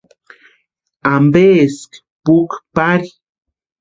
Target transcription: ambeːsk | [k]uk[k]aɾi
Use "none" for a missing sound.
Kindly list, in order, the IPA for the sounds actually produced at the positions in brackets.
p, p

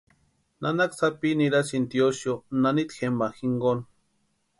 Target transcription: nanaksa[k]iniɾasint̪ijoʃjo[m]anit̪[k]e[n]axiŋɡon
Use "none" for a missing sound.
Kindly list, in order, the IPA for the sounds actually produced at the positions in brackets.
p, n, x, m

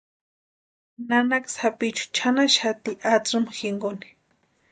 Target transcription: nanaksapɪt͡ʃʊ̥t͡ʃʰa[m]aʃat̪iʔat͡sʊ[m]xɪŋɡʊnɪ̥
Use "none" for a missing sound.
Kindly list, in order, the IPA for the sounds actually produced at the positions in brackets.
n, m

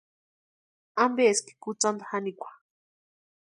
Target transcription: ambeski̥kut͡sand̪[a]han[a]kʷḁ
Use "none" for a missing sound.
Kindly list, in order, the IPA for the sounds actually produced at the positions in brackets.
a, i

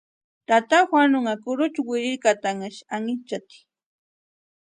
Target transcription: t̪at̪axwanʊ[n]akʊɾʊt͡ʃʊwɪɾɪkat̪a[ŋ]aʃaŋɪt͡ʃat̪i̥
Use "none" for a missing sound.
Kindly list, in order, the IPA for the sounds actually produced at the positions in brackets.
ŋ, ŋ

